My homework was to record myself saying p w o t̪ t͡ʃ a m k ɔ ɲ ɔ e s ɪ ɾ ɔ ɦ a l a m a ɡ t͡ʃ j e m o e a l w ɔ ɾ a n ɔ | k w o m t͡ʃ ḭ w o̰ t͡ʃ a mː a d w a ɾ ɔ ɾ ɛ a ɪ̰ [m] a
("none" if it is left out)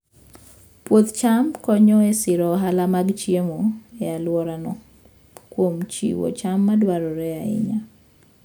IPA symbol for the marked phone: ɲ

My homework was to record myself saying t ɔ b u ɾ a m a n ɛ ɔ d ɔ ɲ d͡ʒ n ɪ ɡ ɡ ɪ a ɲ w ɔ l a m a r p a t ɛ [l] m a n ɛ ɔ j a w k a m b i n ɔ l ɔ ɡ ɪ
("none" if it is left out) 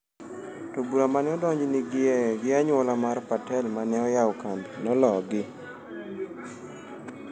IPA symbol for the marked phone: l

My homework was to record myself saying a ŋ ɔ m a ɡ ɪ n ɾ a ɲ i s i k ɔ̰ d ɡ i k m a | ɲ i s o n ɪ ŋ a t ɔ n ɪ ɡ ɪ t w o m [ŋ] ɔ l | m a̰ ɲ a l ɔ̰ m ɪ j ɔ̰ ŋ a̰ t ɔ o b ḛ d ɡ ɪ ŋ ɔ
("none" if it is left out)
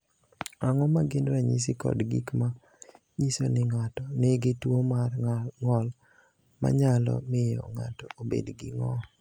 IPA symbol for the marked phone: ŋ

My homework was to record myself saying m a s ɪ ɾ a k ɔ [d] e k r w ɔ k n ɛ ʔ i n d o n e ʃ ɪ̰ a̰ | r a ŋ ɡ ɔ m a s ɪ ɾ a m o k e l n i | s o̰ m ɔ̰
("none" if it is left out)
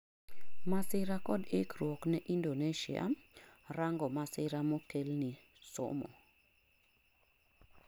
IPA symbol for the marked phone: d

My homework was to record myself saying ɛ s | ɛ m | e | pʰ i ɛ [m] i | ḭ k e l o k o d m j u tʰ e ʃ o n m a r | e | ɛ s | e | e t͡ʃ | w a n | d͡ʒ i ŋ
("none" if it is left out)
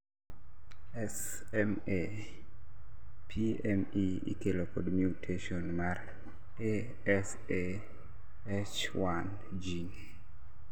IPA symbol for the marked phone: m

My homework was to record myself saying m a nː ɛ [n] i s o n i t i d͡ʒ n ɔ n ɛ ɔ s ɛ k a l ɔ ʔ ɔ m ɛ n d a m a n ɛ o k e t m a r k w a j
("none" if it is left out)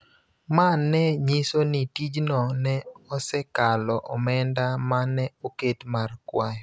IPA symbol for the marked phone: ɲ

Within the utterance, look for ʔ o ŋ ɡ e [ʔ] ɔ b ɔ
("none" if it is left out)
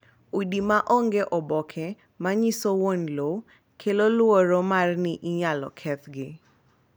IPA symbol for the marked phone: ʔ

